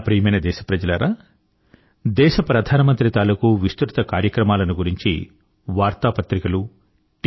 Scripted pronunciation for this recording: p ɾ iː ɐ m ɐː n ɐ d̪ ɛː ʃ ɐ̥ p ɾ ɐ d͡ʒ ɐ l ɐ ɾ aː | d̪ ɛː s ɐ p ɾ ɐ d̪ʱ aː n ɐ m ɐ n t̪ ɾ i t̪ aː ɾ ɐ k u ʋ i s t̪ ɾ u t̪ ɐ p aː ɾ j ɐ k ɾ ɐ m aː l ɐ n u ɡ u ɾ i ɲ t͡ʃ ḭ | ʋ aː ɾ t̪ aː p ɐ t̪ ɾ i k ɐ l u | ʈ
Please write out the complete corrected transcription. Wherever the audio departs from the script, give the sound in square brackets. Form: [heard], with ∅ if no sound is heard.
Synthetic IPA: p ɾ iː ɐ m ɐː n ɐ d̪ ɛː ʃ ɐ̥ p ɾ ɐ d͡ʒ ɐ l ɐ ɾ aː | d̪ ɛː [ʃ] ɐ p ɾ ɐ d̪ʱ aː n ɐ m ɐ n t̪ ɾ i t̪ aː [l] ɐ k u ʋ i s t̪ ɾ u t̪ ɐ [k] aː ɾ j ɐ k ɾ ɐ m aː l ɐ n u ɡ u ɾ i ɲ t͡ʃ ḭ | ʋ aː ɾ t̪ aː p ɐ t̪ ɾ i k ɐ l u | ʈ

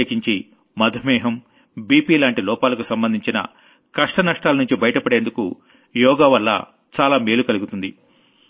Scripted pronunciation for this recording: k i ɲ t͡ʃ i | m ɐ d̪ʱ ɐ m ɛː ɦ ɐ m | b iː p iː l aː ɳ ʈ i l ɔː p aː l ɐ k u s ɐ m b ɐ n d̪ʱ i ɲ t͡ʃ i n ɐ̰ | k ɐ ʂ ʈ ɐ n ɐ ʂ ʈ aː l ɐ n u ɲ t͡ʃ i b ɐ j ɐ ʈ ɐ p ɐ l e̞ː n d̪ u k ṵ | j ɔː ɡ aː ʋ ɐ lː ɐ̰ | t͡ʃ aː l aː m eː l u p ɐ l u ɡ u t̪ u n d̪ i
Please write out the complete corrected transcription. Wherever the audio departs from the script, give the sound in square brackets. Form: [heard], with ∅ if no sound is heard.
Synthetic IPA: k i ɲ t͡ʃ i | m ɐ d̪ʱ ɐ m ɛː ɦ ɐ m | b iː p iː l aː ɳ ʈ i l ɔː p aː l ɐ k u s ɐ m b ɐ n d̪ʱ i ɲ t͡ʃ i n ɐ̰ | k ɐ ʂ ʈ ɐ n ɐ ʂ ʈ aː l ɐ n u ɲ t͡ʃ i b ɐ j ɐ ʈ ɐ p ɐ [ɽ] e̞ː n d̪ u k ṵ | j ɔː ɡ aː ʋ ɐ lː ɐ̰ | t͡ʃ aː l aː m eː l u [k] ɐ l u ɡ u t̪ u n d̪ i

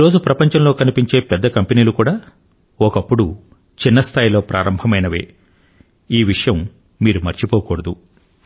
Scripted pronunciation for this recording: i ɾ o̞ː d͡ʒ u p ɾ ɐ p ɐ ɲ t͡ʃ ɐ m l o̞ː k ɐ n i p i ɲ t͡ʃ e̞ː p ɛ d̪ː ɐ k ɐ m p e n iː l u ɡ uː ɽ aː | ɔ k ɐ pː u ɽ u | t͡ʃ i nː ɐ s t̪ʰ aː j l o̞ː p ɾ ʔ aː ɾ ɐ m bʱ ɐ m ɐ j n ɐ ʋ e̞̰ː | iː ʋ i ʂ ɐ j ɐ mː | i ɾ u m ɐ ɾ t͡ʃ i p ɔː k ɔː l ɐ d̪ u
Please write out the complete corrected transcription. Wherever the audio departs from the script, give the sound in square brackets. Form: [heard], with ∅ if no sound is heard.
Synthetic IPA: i ɾ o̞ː d͡ʒ u p ɾ ɐ p ɐ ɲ t͡ʃ ɐ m l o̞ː k ɐ n i p i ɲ t͡ʃ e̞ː p ɛ d̪ː ɐ k ɐ m p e n iː l u [k] uː ɽ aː | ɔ k ɐ pː u ɽ u | t͡ʃ i nː ɐ s t̪ʰ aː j l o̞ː p ɾ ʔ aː ɾ ɐ m bʱ ɐ m ɐ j n ɐ ʋ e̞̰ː | iː ʋ i ʂ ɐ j ɐ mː | [iː] ɾ u m ɐ ɾ t͡ʃ i p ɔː k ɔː [ɽ] ɐ d̪ u

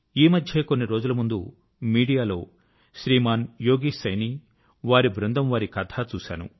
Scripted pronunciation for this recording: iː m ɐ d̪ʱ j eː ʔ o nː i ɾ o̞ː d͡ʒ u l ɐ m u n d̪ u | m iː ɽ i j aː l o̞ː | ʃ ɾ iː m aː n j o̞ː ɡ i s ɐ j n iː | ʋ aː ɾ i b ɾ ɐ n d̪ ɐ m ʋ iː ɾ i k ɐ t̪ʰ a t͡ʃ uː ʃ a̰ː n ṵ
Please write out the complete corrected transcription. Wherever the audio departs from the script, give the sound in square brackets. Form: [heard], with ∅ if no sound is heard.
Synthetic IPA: iː m ɐ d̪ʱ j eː [k] o nː i ɾ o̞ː d͡ʒ u l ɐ m u n d̪ u | m iː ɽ i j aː l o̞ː | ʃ ɾ iː m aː n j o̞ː ɡ i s ɐ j n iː | ʋ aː ɾ i b ɾ ɐ n d̪ ɐ m ʋ [aː] ɾ i k ɐ t̪ʰ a t͡ʃ uː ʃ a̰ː n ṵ

